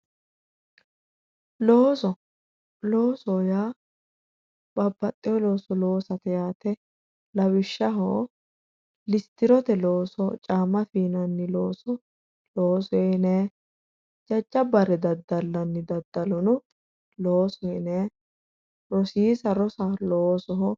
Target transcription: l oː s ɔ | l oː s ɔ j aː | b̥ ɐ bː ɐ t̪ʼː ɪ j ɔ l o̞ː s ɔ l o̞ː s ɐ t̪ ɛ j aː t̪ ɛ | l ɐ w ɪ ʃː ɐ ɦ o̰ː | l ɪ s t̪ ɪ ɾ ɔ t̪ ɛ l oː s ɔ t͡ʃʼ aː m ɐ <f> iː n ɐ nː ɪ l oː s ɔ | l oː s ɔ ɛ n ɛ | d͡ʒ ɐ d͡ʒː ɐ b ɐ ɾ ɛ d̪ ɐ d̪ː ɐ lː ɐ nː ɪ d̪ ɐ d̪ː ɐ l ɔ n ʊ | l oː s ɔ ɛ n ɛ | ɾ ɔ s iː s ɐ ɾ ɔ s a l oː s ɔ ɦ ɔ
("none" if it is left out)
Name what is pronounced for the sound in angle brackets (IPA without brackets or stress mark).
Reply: f